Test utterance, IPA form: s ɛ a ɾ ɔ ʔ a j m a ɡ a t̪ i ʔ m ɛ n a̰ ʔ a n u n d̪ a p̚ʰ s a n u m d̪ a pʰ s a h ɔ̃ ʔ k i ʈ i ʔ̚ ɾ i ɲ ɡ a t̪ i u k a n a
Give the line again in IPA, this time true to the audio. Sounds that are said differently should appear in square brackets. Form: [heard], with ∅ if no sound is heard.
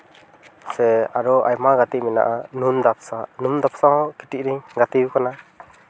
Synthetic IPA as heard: s ɛ a ɾ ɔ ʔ a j m a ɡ a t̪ i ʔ m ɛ n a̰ ʔ a n u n d̪ a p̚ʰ s a n u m d̪ a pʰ s a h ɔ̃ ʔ k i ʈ i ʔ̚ ɾ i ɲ ɡ a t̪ i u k a n a